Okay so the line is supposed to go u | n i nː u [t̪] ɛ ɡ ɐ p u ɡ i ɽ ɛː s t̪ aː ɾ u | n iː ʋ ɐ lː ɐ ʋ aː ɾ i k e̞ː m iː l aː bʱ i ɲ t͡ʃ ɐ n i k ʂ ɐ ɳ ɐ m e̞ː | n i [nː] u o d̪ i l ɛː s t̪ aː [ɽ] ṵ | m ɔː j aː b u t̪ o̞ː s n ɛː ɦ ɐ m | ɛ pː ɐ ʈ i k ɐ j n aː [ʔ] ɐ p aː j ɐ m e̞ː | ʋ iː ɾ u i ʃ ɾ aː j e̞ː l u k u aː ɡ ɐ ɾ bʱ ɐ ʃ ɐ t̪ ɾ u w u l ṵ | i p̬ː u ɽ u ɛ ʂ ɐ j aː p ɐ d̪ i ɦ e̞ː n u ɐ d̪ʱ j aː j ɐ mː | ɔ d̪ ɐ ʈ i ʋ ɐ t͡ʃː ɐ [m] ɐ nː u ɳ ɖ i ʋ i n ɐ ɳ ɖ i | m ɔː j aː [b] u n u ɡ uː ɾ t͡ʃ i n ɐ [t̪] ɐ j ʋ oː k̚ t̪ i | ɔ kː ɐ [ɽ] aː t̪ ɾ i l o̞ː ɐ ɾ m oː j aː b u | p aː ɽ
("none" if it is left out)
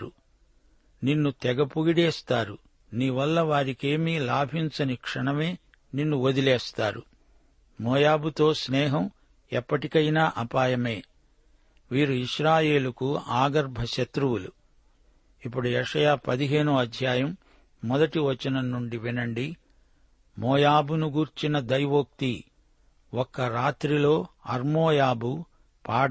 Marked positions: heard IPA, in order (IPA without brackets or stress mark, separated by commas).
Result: t̪, nː, ɾ, ʔ, n, b, d̪, ɾ